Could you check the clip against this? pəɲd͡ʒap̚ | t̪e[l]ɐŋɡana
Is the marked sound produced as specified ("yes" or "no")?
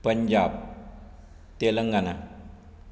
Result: yes